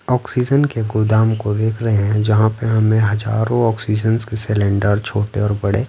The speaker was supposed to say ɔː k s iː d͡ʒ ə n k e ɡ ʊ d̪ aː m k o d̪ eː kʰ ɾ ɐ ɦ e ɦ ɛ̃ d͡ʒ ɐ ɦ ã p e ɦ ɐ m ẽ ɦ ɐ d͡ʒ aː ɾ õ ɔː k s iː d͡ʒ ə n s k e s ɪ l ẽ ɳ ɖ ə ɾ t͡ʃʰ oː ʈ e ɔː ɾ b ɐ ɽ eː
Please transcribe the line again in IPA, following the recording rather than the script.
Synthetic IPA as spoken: ɔː k s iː d͡ʒ ə n k e ɡ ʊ d̪ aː m k o d̪ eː kʰ ɾ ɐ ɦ e ɦ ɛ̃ d͡ʒ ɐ ɦ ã p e ɦ ɐ m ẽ ɦ ɐ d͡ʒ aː ɾ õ ɔː k s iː d͡ʒ ə n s k e s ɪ l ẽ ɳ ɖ ə ɾ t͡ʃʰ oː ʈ e ɔː ɾ b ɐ ɽ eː

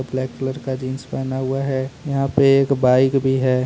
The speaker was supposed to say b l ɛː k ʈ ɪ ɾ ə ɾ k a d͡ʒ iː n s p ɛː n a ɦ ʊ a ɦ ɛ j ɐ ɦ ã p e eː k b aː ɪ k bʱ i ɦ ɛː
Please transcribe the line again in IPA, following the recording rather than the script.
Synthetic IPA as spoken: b l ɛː k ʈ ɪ l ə ɾ k a d͡ʒ iː n s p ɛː n a ɦ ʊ a ɦ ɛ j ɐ ɦ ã p e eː k b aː ɪ k bʱ i ɦ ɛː

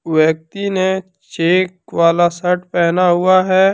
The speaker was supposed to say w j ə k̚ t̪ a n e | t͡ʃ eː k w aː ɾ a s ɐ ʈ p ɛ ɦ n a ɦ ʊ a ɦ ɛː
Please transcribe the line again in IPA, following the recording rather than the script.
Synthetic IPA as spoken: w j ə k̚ t̪ i n e | t͡ʃ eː k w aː l a s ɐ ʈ p ɛ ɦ n a ɦ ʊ a ɦ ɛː

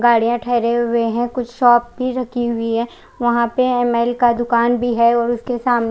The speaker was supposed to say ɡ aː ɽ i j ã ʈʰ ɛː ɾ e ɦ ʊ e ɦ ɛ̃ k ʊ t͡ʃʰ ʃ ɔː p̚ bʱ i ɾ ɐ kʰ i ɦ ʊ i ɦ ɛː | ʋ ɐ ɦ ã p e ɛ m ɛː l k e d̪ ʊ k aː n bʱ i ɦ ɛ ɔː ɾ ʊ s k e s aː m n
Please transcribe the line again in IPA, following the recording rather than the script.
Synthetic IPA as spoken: ɡ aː ɽ i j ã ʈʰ ɛː ɾ e ɦ ʊ e ɦ ɛ̃ k ʊ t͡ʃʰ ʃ ɔː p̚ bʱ i ɾ ɐ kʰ i ɦ ʊ i ɦ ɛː | ʋ ɐ ɦ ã p e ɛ m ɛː l k a d̪ ʊ k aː n bʱ i ɦ ɛ ɔː ɾ ʊ s k e s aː m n

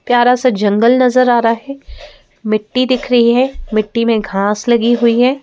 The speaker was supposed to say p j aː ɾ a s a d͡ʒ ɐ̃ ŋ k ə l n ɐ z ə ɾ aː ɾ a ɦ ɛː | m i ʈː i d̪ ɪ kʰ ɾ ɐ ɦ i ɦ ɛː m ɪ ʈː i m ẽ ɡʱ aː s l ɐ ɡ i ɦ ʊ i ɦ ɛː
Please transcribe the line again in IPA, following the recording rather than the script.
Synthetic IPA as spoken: p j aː ɾ a s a d͡ʒ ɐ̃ ŋ ɡ ə l n ɐ z ə ɾ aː ɾ a ɦ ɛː | m ɪ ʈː i d̪ ɪ kʰ ɾ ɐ ɦ i ɦ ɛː m ɪ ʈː i m ẽ ɡʱ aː s l ɐ ɡ i ɦ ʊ i ɦ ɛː

